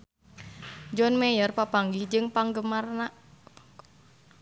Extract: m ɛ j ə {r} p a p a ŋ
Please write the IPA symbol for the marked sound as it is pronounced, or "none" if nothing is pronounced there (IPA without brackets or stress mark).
r